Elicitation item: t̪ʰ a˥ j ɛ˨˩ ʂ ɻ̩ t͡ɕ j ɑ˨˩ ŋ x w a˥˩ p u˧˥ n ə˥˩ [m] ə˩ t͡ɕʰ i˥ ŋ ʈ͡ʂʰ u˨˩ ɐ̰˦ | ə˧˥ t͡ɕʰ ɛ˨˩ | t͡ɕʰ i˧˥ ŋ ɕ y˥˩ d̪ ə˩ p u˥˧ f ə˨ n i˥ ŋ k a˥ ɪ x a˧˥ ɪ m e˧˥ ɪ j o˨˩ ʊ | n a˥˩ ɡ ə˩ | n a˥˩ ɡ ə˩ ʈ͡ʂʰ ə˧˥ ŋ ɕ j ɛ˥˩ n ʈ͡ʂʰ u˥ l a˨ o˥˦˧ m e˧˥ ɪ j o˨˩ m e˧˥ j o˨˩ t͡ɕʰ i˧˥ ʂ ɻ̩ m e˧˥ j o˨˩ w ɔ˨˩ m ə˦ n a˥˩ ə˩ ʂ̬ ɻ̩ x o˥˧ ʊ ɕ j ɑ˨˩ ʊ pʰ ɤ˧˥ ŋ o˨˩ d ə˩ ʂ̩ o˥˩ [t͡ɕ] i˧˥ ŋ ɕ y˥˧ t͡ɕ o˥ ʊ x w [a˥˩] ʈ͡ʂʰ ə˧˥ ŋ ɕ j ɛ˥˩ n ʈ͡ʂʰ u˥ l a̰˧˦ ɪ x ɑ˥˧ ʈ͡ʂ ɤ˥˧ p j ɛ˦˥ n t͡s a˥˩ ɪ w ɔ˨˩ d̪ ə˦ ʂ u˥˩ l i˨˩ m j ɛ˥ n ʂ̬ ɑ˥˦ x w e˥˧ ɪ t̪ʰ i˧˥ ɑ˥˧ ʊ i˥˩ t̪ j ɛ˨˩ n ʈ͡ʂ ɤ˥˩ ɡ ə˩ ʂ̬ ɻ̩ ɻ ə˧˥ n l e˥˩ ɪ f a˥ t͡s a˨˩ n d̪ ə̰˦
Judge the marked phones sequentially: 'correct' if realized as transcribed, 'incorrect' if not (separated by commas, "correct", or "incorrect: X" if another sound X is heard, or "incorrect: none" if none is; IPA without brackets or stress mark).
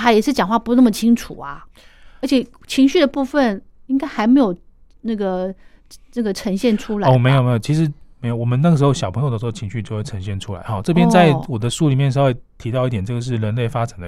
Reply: correct, incorrect: t͡ɕʰ, incorrect: e˥˩